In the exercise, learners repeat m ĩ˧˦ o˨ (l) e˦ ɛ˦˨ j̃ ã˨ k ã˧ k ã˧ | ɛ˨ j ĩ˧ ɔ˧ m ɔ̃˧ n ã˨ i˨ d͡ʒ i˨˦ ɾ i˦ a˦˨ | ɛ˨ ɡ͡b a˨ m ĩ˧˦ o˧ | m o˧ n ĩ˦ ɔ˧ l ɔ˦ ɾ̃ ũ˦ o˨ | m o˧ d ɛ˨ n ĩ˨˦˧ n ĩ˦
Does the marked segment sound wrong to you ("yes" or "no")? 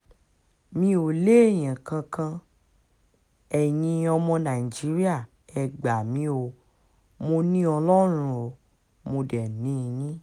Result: no